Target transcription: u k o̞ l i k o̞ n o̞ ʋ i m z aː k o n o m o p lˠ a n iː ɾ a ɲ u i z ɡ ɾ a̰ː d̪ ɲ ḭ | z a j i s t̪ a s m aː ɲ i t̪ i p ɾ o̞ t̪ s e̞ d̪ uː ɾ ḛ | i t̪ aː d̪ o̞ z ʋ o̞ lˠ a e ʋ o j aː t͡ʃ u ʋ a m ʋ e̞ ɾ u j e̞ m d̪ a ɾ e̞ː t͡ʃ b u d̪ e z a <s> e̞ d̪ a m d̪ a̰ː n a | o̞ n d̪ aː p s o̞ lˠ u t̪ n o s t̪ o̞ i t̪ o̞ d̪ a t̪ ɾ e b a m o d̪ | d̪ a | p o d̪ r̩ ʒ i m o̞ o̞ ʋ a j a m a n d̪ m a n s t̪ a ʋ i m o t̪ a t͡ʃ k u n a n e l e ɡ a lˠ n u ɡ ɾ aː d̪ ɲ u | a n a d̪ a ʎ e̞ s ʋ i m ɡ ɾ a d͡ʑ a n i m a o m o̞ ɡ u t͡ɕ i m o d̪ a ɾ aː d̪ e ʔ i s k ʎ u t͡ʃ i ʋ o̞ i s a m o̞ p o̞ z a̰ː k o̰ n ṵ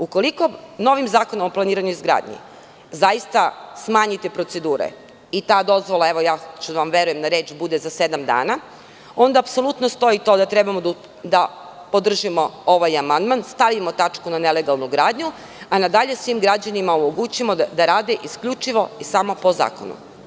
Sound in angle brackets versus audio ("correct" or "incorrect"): correct